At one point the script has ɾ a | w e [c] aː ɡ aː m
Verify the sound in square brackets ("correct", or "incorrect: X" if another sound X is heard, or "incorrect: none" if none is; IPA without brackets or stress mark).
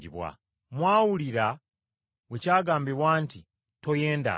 correct